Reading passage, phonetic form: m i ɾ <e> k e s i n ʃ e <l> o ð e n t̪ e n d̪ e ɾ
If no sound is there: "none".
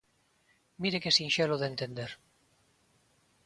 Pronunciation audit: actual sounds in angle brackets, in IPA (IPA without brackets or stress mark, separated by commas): e, l